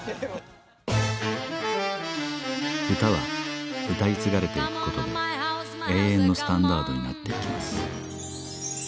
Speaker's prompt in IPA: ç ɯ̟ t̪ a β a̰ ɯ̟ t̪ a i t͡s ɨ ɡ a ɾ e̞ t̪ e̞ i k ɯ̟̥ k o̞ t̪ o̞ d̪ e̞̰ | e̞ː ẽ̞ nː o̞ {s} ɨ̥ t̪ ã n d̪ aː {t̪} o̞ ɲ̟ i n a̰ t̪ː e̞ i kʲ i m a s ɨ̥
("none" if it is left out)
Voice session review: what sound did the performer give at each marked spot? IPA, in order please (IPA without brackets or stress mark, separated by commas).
s, d̪